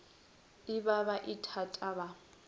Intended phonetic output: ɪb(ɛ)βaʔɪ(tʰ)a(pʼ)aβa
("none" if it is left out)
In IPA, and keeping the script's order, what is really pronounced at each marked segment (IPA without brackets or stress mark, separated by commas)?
a, tʰ, tʼ